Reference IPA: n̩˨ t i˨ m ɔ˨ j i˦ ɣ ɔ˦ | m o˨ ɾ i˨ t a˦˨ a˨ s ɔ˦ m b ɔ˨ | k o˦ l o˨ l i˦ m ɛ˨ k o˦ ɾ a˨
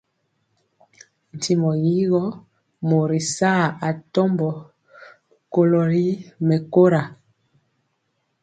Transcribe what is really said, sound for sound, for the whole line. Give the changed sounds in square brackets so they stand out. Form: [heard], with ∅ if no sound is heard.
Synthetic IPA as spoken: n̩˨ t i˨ m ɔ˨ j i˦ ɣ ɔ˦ | m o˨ ɾ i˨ [s] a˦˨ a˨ [t] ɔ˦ m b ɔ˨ | k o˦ l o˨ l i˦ m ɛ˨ k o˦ ɾ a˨

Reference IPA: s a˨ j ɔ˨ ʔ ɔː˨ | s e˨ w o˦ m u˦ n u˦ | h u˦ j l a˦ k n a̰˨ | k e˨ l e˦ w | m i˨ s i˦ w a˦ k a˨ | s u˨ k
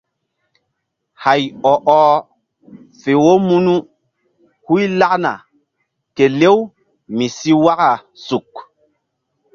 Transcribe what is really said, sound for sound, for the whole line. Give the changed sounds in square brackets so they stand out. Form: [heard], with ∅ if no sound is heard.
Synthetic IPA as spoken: [h] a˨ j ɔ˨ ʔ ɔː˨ | [f] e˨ w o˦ m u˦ n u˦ | h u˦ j l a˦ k n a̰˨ | k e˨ l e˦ w | m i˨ s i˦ w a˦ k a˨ | s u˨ k

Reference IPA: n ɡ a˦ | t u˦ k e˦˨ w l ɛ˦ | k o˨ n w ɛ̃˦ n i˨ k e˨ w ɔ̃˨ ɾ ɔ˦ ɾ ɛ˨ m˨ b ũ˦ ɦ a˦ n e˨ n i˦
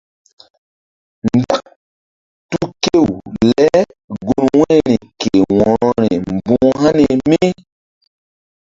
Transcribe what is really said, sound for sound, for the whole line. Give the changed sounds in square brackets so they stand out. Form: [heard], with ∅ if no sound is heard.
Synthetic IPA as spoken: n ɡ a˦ | t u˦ k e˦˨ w l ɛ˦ | [ɡ] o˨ n w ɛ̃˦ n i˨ k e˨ w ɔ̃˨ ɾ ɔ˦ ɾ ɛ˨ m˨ b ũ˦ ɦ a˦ n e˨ [m] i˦

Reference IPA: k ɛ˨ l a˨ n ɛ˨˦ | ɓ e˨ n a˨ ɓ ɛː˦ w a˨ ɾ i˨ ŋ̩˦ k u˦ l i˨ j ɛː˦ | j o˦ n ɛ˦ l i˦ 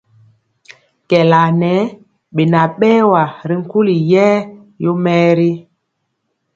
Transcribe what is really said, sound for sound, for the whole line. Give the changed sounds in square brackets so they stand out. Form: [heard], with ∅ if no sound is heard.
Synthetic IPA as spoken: k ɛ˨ l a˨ n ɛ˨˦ | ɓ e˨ n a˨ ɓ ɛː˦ w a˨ ɾ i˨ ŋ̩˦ k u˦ l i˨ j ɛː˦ | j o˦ [m] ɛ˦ [ɾ] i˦

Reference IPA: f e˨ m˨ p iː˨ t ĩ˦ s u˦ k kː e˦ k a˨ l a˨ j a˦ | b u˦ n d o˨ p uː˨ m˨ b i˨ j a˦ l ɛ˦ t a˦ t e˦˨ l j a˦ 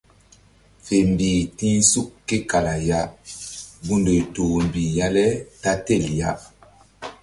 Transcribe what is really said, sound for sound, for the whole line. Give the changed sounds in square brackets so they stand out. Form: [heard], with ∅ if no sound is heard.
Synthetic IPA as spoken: f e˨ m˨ [b] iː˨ t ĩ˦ s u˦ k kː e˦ k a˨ l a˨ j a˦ | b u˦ n d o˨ [t] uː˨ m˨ b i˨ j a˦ l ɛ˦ t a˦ t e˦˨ l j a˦

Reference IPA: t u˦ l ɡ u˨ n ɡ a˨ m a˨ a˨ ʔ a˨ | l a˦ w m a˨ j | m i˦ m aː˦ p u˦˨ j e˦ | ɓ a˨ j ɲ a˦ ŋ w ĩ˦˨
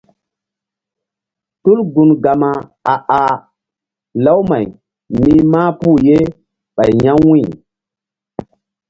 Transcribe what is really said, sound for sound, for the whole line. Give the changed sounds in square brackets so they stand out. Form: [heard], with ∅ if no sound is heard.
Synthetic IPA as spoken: t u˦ l ɡ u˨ n ɡ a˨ m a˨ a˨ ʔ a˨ | l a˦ w m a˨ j | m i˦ m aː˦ p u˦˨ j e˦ | ɓ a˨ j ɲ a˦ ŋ w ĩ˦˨

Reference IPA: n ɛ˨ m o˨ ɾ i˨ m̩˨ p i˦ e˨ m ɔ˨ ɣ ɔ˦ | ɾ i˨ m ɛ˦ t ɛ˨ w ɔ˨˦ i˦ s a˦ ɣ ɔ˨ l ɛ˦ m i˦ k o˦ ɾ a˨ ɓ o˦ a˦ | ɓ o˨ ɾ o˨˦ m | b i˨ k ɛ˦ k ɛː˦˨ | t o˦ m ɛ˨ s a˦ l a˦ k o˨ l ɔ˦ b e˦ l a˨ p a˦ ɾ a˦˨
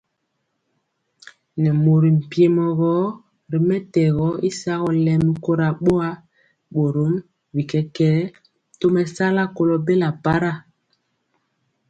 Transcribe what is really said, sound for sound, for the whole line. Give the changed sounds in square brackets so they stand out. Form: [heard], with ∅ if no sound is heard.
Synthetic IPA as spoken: n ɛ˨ m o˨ ɾ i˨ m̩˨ p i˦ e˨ m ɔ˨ ɣ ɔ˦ | ɾ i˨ m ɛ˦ t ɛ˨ [ɣ] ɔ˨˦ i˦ s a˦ ɣ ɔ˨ l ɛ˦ m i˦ k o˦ ɾ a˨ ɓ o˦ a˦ | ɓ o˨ ɾ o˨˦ m | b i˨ k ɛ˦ k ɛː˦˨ | t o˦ m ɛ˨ s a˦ l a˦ k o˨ l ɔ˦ b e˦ l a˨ p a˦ ɾ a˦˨

